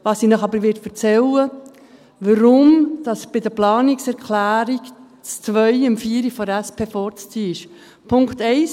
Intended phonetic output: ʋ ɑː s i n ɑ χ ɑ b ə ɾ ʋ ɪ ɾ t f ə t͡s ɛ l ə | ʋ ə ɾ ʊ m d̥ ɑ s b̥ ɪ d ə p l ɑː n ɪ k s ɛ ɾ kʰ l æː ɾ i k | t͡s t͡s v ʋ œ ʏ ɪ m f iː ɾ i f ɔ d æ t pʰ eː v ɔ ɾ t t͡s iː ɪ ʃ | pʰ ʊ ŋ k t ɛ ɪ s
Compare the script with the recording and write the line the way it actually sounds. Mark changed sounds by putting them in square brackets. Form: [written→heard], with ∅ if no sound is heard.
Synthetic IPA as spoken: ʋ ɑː s i n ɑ χ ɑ b ə ɾ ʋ ɪ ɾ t f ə t͡s ɛ l ə | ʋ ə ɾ ʊ m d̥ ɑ s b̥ ɪ d ə p l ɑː n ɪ k s ɛ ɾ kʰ l æː ɾ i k | t͡s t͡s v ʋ œ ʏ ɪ m f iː ɾ i f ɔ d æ [t→s] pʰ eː [v→f] ɔ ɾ [t→t͡s] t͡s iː ɪ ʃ | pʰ ʊ ŋ k t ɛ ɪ s